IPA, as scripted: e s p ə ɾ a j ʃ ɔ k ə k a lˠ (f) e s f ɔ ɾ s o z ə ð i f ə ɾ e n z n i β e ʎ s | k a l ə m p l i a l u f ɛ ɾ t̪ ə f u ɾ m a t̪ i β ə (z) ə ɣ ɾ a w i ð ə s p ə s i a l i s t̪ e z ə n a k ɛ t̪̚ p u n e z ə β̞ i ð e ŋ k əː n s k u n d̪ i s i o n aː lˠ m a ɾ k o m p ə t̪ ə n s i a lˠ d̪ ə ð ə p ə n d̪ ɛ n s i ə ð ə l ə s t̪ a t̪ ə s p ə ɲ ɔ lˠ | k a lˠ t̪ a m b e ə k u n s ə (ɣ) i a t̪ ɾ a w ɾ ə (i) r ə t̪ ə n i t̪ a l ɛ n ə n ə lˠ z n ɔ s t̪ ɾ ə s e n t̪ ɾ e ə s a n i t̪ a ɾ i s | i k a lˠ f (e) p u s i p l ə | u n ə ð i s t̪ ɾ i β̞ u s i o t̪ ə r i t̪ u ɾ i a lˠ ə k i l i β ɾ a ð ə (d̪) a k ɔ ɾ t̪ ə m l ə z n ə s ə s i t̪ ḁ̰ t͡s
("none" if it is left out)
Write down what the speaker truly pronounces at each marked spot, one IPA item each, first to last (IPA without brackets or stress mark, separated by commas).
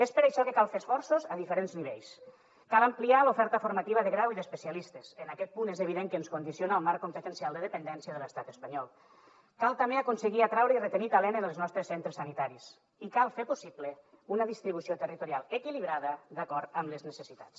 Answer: f, ð, ɣ, i, e, d̪